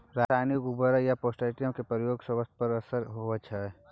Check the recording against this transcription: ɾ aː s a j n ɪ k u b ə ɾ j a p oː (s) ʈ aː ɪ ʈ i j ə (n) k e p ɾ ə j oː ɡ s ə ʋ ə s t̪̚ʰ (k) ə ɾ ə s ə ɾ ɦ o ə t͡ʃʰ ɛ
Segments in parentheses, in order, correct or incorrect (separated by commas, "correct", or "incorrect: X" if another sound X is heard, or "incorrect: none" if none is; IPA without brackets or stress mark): correct, incorrect: m, incorrect: p